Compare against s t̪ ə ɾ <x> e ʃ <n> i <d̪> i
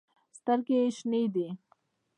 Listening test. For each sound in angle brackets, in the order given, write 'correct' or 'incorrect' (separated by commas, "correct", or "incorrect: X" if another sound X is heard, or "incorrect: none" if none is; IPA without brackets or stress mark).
incorrect: k, correct, correct